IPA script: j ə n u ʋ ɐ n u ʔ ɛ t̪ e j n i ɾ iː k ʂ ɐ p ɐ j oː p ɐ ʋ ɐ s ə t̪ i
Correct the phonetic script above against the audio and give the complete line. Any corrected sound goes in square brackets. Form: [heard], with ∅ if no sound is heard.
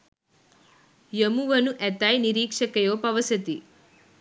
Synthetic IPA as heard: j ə [m] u ʋ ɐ n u ʔ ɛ t̪ [a] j n i ɾ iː k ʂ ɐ [k] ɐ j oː p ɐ ʋ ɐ s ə t̪ i

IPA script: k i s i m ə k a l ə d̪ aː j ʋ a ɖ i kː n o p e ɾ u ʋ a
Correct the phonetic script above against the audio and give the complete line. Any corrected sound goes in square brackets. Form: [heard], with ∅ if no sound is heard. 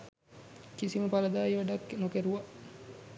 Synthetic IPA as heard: k i s i m ə [p] a l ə d̪ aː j ʋ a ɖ [a] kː n o [k] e ɾ u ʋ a

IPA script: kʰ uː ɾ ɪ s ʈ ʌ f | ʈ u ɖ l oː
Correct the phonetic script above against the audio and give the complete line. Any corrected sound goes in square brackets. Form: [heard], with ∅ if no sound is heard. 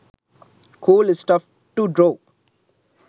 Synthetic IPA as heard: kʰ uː [l] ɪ s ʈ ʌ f | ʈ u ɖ [ɾ] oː

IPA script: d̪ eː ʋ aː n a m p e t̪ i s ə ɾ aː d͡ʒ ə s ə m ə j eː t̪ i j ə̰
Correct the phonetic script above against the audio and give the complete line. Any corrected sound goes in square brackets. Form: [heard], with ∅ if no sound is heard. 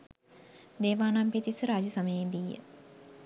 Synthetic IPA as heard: d̪ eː ʋ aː n a m p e t̪ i s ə ɾ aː d͡ʒ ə s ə m ə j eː [d̪] i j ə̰

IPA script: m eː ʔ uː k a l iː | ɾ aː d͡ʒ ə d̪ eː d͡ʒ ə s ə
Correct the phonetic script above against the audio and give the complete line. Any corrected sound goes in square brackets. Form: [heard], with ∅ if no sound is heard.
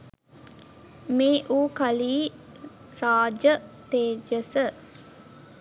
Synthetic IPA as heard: m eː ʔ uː k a l iː | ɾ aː d͡ʒ ə [t̪] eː d͡ʒ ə s ə

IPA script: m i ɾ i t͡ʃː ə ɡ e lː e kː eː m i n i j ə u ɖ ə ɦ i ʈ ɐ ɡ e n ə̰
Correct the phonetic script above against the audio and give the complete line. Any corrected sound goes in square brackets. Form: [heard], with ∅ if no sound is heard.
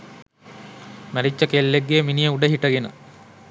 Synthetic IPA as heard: m [æ] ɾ i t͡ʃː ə [k] e lː e [ɡː] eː m i n i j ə u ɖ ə ɦ i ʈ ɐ ɡ e n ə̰

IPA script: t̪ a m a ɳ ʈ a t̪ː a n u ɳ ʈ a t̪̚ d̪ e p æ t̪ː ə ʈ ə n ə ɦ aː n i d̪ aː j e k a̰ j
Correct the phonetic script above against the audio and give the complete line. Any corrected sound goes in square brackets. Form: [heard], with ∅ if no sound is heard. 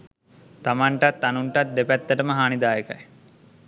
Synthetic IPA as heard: t̪ a m a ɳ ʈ a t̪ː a n u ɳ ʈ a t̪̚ d̪ e p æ t̪ː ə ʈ ə [m] ə ɦ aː n i d̪ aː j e k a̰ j

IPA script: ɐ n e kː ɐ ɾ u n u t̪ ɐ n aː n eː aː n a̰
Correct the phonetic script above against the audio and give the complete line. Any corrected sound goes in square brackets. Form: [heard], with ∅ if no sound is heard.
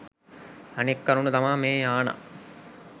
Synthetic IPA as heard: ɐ n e kː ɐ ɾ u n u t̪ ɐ [m] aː [m] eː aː n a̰

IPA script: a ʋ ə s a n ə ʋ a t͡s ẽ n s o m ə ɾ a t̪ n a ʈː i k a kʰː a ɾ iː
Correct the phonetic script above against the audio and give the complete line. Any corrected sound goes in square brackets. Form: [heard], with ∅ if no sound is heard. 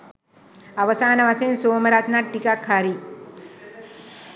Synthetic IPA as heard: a ʋ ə s a n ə ʋ a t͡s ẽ n s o m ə ɾ a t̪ n a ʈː i k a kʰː a ɾ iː

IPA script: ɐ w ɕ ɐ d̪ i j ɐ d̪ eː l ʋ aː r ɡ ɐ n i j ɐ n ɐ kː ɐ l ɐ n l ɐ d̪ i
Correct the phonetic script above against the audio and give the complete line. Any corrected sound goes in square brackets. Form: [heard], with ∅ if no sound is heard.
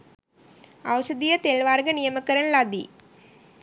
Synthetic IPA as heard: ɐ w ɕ ɐ d̪ i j ɐ [t̪] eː l ʋ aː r ɡ ɐ n i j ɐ [m] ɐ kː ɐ [ɾ] ɐ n l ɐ d̪ i

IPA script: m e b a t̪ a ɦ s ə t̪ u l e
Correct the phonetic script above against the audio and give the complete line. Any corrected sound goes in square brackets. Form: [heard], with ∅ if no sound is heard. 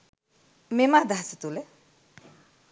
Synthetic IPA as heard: m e [m] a [d̪] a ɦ s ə t̪ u l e

